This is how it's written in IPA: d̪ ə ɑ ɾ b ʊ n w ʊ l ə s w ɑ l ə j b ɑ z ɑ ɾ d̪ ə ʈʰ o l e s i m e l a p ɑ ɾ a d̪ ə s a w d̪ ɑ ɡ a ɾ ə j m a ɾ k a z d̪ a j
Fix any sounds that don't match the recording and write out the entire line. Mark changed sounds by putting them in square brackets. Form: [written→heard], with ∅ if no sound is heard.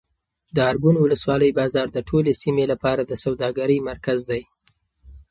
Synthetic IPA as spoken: d̪ ə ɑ ɾ [b→ɡ] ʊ n w ʊ l ə s w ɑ l ə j b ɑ z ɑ ɾ d̪ ə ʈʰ o l e s i m e l a p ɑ ɾ a d̪ ə s a w d̪ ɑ ɡ a ɾ ə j m a ɾ k a z d̪ a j